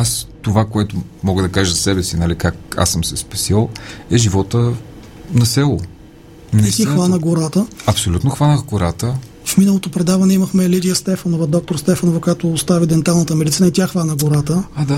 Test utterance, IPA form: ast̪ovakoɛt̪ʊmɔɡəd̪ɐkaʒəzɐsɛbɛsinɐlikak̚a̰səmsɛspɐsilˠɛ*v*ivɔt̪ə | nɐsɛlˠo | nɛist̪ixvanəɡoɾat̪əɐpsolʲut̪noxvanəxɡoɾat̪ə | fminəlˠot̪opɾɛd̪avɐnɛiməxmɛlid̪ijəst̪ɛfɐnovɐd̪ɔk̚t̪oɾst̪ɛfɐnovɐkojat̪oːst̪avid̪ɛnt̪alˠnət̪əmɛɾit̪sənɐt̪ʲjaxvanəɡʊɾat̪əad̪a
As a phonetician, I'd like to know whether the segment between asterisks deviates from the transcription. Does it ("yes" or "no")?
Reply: yes